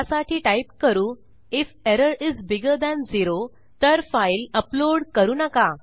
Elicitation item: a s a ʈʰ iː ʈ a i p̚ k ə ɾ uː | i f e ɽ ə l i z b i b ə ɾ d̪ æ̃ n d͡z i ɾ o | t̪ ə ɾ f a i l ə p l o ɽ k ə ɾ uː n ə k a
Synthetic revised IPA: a s a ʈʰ iː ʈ a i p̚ k ə ɾ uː | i f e ɾ ə ɾ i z b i ɡ ə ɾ d̪ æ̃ n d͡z i ɾ o | t̪ ə ɾ f a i l ə p l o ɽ k ə ɾ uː n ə k a